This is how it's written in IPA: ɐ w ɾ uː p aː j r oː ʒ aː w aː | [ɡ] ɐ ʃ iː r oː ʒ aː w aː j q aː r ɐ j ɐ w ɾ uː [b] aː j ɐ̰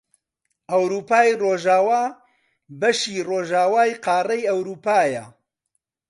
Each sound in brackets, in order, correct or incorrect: incorrect: b, incorrect: p

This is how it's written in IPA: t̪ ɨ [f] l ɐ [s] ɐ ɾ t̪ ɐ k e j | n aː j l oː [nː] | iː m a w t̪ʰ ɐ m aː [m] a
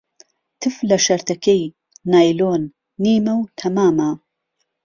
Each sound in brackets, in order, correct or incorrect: correct, incorrect: ʃ, correct, correct

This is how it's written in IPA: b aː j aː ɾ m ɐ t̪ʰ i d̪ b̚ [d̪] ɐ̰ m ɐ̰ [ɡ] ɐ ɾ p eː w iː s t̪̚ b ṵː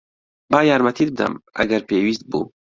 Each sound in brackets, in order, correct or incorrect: correct, correct

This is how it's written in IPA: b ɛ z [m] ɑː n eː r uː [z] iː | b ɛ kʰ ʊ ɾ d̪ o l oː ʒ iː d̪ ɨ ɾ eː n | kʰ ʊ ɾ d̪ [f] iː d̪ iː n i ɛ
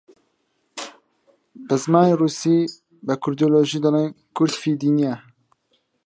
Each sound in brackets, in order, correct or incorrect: correct, incorrect: s, correct

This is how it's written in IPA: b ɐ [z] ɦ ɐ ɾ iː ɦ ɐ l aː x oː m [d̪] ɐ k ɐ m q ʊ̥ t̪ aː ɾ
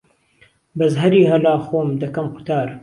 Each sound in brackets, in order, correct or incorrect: correct, correct

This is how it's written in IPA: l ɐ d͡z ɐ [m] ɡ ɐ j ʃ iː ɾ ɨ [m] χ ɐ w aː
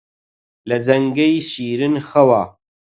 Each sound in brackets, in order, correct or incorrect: incorrect: ŋ, incorrect: n

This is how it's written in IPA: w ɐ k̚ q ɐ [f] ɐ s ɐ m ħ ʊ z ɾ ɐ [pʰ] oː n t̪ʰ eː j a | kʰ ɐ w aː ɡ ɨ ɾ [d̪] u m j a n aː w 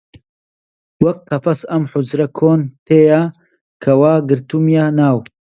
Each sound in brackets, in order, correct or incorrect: correct, incorrect: kʰ, incorrect: t̪

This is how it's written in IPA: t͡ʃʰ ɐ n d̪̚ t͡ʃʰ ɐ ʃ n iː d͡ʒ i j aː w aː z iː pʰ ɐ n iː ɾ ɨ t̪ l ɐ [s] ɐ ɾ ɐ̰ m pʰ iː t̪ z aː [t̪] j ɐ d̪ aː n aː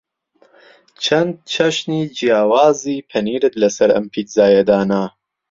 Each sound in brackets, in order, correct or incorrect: correct, incorrect: none

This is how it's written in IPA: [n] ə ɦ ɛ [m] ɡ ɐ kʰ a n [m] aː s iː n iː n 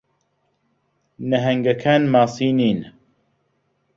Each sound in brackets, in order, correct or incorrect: correct, incorrect: ŋ, correct

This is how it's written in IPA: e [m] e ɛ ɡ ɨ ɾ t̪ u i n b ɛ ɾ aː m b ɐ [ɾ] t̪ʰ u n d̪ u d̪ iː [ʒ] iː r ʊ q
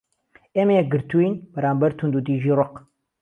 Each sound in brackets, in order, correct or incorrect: correct, correct, correct

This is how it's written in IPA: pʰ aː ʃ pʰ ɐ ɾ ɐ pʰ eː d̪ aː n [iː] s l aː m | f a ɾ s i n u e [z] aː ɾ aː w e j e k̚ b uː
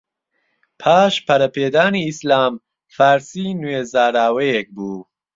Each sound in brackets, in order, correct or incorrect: correct, correct

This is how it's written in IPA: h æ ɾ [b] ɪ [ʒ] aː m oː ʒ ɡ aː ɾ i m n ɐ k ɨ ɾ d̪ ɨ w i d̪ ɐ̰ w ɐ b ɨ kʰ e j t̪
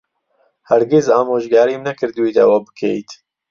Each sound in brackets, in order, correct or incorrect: incorrect: ɡ, incorrect: z

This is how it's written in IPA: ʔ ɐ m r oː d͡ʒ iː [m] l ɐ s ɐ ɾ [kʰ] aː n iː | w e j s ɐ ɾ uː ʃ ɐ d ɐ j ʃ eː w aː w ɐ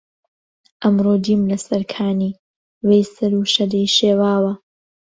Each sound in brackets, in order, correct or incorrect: correct, correct

